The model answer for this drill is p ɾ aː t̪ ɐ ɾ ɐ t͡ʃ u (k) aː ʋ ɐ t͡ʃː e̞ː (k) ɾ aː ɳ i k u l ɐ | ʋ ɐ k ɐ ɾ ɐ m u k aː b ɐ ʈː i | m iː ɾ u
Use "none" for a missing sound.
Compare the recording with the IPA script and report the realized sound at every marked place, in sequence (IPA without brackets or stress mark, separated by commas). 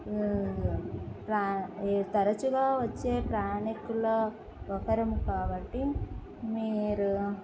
ɡ, p